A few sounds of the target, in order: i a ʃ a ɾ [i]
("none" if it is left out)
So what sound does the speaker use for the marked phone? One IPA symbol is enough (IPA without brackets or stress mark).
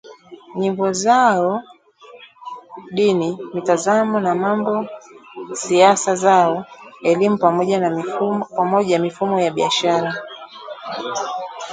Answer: a